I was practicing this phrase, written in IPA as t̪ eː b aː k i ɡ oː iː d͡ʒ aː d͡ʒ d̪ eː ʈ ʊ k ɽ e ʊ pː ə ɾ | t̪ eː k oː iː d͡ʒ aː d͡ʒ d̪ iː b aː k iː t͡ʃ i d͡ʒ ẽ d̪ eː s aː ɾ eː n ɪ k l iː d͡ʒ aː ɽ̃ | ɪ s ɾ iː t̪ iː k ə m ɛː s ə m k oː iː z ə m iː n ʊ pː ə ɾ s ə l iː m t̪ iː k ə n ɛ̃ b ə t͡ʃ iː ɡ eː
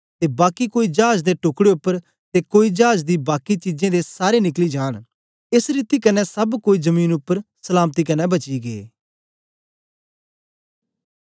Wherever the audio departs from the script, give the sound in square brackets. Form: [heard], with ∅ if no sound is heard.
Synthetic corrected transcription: t̪ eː b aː k i [k] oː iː d͡ʒ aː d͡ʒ d̪ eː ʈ ʊ k ɽ e ʊ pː ə ɾ | t̪ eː k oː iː d͡ʒ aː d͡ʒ d̪ iː b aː k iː t͡ʃ i d͡ʒ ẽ d̪ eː s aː ɾ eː n ɪ k l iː d͡ʒ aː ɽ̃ | ɪ s ɾ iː t̪ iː k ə [n] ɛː s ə [b] k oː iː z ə m iː n ʊ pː ə ɾ s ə l [aː] m t̪ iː k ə n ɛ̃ b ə t͡ʃ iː ɡ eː

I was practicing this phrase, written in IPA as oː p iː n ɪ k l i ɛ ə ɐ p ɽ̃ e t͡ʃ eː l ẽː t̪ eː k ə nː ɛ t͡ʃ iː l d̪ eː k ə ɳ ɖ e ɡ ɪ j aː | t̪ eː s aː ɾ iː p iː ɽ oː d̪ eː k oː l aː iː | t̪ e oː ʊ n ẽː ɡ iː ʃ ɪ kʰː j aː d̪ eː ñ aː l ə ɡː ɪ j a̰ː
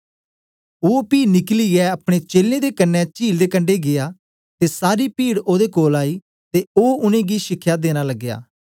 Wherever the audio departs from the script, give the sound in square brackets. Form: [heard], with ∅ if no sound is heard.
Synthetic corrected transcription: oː p iː n ɪ k l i ɛ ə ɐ p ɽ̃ e t͡ʃ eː l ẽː [d̪] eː k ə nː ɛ t͡ʃ iː l d̪ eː k ə ɳ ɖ e ɡ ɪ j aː | t̪ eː s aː ɾ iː p iː ɽ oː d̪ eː k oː l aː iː | t̪ e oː ʊ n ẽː ɡ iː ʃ ɪ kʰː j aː d̪ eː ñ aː l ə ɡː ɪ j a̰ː

